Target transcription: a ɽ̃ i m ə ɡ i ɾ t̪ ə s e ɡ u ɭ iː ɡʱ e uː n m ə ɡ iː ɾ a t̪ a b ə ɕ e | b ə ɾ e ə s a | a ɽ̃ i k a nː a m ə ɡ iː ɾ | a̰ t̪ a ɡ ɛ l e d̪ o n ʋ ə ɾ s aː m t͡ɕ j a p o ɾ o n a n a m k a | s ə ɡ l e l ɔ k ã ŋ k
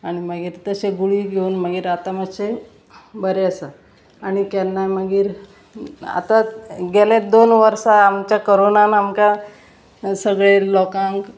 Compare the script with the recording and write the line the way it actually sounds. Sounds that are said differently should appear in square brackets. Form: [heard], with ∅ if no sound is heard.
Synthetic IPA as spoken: a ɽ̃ i m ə ɡ [iː] ɾ t̪ ə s e ɡ u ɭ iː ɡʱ e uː n m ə ɡ iː ɾ a t̪ a [m] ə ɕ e | b ə ɾ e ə s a | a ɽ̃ i k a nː a m ə ɡ iː ɾ | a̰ t̪ a ɡ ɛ l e d̪ o n ʋ ə ɾ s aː m t͡ɕ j a [k] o ɾ o n a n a m k a | s ə ɡ [ɭ] e l ɔ k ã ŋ k